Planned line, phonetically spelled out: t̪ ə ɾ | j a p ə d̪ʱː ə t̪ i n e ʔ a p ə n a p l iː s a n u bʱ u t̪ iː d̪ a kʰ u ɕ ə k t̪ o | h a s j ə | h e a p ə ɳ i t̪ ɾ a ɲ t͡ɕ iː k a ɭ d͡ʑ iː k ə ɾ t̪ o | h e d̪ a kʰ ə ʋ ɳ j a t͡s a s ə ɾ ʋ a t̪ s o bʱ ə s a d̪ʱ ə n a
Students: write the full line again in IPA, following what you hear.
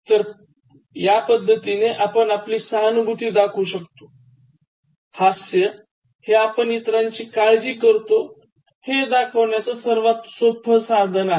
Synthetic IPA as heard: t̪ ə ɾ | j a p ə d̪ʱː ə t̪ i n e ʔ a p ə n a p l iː s a n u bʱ u t̪ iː d̪ a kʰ u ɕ ə k t̪ o | h a s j ə | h e a p ə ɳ i t̪ ɾ a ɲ t͡ɕ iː k a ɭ d͡ʑ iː k ə ɾ t̪ o | h e d̪ a kʰ ə ʋ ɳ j a t͡s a s ə ɾ ʋ a t̪ s o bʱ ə s a d̪ʱ ə n a